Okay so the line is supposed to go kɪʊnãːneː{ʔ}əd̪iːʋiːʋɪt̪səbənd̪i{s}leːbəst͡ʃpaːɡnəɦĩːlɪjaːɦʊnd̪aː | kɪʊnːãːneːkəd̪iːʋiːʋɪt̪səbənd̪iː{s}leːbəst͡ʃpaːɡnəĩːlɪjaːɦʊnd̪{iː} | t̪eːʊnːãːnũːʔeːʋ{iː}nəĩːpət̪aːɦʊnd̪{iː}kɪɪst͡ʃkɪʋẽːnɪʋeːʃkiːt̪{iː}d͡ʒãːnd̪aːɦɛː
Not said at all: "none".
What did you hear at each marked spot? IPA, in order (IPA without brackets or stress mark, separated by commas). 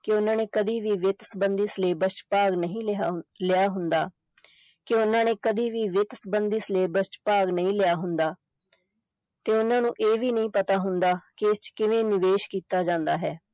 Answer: k, s, s, aː, iː, aː, aː